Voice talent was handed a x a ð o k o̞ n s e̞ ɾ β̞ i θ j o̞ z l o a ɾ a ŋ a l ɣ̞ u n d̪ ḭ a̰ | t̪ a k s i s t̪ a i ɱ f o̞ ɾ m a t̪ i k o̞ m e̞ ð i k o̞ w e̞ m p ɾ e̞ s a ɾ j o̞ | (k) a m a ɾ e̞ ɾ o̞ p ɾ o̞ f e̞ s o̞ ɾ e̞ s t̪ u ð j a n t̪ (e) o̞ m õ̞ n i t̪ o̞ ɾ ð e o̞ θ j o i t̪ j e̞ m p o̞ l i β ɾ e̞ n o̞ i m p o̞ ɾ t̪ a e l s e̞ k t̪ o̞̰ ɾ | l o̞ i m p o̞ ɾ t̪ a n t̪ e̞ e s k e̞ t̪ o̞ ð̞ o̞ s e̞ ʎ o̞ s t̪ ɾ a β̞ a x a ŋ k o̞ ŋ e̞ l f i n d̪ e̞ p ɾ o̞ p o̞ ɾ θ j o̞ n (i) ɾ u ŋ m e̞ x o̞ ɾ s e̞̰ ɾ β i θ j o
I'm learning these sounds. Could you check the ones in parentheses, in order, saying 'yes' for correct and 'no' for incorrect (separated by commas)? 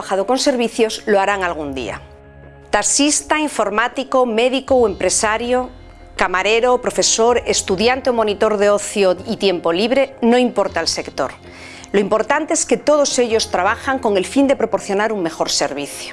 yes, yes, no